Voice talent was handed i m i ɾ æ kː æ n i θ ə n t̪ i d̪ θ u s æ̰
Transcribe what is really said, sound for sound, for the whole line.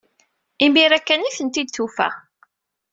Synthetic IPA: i m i ɾ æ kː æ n i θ ə n t̪ i d̪ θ u f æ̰